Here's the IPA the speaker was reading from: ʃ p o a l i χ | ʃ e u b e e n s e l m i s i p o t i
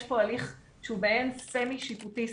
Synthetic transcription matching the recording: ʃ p o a l i χ | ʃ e u b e e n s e m i ʃ i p u t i